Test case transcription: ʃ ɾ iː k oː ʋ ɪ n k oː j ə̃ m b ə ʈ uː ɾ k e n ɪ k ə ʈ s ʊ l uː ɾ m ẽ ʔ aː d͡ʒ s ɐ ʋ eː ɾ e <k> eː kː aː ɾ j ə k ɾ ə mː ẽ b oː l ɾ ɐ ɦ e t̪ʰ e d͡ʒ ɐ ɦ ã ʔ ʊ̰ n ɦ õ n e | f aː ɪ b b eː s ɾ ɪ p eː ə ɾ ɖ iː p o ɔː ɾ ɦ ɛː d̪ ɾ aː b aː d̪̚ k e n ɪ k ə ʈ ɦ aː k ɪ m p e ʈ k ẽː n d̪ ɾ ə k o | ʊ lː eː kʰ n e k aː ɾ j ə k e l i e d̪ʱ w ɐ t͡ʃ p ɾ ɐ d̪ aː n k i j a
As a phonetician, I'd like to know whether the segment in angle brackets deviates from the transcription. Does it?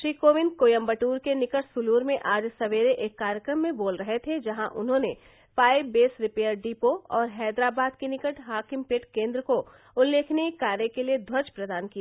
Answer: yes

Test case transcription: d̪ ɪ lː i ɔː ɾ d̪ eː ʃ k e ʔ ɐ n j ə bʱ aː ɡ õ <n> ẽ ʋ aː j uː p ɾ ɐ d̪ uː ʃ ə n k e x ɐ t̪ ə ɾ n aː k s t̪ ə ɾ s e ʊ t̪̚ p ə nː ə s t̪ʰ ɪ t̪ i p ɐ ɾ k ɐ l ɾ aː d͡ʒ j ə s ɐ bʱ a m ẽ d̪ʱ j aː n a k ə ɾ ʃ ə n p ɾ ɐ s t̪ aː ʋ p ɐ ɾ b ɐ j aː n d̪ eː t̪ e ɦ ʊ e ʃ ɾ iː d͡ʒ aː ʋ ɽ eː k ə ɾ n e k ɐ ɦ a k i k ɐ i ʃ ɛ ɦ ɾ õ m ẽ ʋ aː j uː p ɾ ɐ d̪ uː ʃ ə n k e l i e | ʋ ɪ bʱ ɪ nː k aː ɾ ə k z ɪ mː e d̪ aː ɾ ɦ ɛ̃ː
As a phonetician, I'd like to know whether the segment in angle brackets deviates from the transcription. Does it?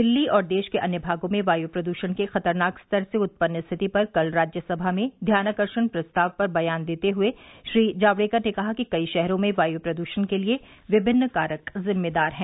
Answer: yes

